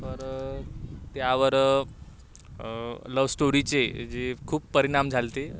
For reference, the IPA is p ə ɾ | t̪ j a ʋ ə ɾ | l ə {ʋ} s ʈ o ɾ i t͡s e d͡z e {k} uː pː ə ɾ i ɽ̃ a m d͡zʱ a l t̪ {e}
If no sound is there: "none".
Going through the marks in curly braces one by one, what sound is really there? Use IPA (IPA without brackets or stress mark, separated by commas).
ʋ, kʰ, e